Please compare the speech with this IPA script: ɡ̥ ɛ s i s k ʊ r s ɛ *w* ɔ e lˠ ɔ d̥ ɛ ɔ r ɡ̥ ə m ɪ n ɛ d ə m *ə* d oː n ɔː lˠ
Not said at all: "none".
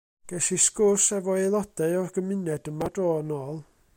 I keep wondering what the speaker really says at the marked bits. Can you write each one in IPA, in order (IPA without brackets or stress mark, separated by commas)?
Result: v, a